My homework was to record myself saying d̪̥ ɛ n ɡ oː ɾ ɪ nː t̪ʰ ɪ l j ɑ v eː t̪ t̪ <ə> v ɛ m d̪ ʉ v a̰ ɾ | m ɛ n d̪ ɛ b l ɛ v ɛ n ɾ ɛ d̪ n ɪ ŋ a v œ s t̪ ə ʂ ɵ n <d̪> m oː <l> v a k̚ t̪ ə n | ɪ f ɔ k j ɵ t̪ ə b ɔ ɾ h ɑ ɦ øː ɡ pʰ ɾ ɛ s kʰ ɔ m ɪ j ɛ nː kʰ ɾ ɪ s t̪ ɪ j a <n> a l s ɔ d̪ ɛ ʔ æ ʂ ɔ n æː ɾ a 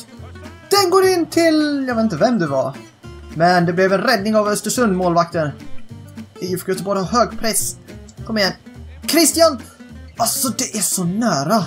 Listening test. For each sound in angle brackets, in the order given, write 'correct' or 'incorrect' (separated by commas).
correct, correct, correct, correct